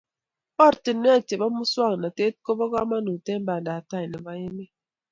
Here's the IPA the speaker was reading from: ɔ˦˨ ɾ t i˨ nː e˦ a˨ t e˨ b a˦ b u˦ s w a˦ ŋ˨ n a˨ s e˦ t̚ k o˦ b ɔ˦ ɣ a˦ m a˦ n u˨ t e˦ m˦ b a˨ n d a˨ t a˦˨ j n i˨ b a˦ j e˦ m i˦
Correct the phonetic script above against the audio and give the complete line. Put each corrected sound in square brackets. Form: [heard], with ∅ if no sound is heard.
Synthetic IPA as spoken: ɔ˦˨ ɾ t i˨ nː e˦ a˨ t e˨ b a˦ [m] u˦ s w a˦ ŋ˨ n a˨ [t] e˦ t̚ k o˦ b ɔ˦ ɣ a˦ m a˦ n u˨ t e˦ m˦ b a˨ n d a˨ t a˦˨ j n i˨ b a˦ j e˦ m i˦